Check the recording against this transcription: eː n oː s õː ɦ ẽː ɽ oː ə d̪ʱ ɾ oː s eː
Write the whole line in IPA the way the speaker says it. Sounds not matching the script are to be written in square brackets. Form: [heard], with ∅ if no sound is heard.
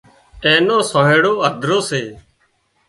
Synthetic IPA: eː n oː s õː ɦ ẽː ɽ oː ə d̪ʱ ɾ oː s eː